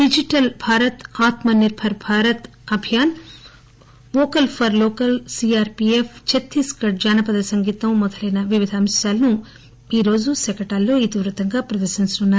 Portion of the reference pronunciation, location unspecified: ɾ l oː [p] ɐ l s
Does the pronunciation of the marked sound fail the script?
yes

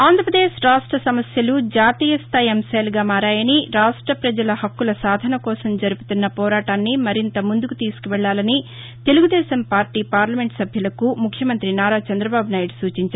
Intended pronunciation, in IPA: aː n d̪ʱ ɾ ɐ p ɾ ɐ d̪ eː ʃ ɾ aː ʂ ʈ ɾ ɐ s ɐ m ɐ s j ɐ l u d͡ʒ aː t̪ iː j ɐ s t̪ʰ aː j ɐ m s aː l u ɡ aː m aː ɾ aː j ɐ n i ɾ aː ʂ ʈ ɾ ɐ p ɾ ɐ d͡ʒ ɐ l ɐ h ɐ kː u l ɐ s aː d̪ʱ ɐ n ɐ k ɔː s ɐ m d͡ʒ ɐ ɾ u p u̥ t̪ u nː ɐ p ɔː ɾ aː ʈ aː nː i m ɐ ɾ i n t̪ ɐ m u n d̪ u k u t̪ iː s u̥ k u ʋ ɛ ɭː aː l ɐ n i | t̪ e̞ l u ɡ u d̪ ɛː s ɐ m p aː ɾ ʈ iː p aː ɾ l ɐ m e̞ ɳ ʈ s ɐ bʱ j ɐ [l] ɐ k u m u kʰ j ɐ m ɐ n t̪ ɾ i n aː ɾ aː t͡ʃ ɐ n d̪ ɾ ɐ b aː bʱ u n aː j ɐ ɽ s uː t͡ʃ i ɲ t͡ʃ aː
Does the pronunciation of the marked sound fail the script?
no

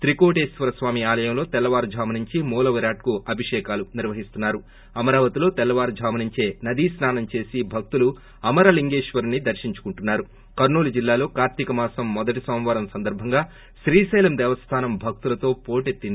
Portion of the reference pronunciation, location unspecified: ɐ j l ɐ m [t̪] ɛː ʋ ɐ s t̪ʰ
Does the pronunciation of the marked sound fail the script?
yes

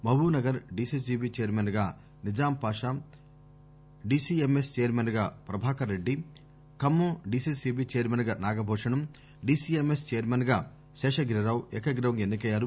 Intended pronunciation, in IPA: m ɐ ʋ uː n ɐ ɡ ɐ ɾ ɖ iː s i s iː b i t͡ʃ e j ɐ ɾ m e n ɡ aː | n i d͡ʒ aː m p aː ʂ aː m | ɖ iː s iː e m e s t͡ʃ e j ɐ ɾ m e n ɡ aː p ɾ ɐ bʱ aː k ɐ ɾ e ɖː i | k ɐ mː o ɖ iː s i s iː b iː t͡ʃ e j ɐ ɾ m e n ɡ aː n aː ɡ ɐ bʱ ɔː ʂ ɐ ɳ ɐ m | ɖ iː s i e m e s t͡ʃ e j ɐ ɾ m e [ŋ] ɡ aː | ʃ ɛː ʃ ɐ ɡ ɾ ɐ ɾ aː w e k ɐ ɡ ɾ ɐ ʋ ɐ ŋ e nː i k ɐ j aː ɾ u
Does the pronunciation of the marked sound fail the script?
yes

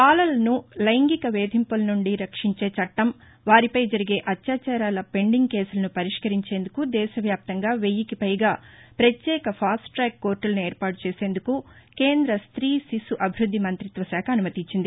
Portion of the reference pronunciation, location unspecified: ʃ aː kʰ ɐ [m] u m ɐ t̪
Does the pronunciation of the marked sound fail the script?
yes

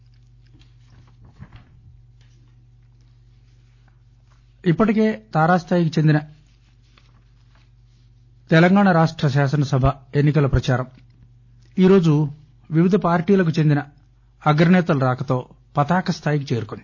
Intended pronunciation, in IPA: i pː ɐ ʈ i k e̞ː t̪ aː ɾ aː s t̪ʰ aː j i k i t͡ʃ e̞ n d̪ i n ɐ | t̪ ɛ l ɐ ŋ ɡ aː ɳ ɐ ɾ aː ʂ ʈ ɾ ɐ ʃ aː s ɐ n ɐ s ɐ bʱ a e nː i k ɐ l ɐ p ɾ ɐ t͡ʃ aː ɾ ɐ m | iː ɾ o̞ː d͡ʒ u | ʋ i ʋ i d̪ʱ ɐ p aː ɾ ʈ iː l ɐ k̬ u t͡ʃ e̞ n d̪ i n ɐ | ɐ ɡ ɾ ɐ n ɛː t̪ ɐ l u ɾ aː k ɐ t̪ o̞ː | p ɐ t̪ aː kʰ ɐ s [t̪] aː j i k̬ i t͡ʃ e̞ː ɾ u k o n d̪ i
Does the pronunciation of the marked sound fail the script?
yes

